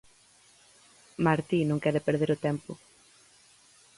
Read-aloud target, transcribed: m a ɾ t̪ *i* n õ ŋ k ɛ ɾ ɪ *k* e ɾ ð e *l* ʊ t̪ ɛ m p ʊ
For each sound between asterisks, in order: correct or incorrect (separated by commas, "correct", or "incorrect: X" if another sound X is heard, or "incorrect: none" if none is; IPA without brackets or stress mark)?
correct, incorrect: p, incorrect: ɾ